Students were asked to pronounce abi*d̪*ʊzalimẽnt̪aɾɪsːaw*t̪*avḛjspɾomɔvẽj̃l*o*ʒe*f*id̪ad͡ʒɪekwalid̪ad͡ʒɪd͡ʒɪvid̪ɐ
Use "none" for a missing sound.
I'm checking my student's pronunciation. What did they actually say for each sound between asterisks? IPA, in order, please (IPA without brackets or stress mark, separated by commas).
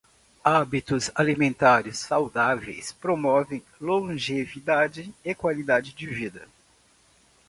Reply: t̪, d̪, õ, v